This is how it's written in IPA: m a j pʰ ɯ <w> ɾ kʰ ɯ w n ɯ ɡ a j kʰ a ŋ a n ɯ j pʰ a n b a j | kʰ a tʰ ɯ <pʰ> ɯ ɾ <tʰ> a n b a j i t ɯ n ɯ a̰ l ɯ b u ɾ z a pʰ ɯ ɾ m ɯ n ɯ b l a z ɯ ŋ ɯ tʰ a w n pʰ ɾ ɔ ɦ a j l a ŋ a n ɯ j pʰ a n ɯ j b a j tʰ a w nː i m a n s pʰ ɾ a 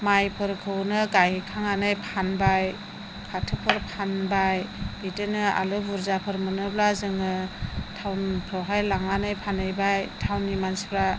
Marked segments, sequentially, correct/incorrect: incorrect, correct, incorrect

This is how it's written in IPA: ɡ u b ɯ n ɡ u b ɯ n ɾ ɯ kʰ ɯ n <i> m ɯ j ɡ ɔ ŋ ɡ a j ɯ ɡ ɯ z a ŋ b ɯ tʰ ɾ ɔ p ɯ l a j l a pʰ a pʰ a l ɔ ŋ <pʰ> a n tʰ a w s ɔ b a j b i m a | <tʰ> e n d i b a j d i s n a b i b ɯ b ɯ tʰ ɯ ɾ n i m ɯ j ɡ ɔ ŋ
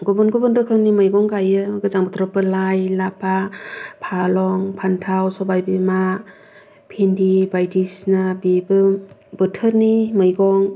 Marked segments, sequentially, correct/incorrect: correct, correct, incorrect

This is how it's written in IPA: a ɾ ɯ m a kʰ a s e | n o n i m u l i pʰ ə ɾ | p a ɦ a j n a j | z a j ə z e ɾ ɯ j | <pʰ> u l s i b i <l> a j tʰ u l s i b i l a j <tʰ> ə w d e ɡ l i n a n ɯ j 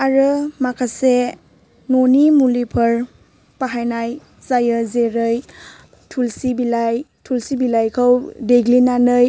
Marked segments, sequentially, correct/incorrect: incorrect, correct, incorrect

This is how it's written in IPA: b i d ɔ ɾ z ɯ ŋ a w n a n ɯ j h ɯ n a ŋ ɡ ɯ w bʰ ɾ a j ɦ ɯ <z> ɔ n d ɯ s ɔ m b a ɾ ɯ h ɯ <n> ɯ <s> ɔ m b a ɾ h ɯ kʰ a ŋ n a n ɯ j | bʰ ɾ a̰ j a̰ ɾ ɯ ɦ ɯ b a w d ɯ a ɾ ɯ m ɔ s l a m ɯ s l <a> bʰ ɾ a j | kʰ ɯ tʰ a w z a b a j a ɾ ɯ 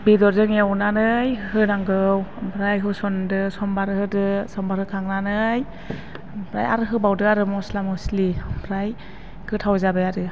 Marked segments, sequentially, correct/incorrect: incorrect, incorrect, correct, incorrect

